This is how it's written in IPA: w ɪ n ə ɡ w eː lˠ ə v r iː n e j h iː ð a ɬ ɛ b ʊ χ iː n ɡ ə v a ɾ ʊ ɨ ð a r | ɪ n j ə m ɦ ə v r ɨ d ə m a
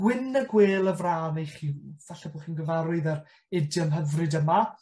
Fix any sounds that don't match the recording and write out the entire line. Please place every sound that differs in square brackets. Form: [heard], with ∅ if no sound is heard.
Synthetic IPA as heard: w ɪ n ə ɡ w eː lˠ ə v r [aː] n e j [χ] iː [v] a ɬ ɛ b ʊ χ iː n ɡ ə v a ɾ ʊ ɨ ð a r | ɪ [d] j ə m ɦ ə v r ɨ d ə m a